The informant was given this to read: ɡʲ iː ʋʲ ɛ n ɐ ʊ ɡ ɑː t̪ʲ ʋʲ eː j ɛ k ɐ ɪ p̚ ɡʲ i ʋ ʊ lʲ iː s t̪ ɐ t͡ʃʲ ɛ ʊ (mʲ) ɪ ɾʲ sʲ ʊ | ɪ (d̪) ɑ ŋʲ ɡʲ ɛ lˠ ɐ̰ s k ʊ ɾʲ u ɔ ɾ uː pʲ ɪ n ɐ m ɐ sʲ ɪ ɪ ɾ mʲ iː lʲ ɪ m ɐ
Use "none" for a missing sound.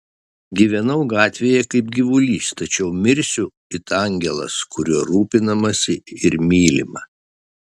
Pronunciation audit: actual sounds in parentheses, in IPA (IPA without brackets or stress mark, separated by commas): mʲ, t̪